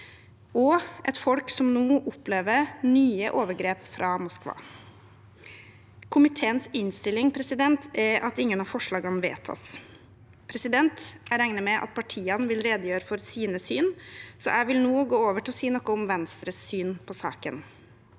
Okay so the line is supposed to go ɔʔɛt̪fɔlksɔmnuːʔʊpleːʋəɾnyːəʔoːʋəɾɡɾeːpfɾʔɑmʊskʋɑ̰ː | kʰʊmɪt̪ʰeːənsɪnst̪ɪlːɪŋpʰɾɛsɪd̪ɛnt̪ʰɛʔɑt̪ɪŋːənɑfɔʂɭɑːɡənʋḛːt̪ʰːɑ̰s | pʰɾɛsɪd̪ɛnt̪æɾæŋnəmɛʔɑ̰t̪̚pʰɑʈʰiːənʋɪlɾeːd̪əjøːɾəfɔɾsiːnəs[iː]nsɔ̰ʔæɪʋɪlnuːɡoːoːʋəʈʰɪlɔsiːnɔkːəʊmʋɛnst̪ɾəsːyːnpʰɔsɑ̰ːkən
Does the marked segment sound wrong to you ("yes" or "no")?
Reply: yes